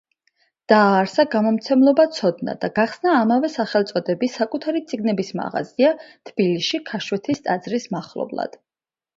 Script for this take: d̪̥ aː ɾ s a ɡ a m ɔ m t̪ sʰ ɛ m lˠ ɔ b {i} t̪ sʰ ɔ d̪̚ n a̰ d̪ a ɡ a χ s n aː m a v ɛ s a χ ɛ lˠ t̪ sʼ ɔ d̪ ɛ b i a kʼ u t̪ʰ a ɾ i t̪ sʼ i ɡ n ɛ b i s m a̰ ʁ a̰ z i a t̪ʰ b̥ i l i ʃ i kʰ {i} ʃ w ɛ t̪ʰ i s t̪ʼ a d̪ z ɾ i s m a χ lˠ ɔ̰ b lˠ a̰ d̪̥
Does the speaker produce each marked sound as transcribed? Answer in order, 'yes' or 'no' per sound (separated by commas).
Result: no, no